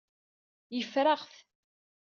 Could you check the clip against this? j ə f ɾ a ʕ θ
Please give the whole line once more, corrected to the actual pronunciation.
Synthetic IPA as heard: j ə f ɾ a ʁ θ